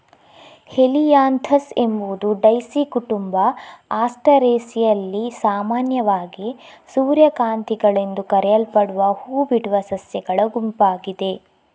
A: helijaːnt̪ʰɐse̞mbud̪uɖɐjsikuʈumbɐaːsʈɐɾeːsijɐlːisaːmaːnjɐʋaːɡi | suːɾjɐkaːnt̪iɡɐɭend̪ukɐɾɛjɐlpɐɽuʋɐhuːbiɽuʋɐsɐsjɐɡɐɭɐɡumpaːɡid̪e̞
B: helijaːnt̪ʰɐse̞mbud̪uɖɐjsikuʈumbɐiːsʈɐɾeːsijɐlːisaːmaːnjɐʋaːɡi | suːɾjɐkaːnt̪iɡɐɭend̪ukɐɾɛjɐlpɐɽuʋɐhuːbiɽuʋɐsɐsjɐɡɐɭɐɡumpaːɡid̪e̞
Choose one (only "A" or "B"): A